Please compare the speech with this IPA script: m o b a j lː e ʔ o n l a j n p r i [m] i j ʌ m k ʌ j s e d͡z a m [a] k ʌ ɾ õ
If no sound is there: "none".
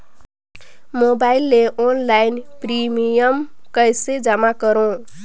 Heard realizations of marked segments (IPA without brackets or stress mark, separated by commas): m, a